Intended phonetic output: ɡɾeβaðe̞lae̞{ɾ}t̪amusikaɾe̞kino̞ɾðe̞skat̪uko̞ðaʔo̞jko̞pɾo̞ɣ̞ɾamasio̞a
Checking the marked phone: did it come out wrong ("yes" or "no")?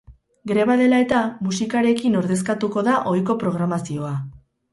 yes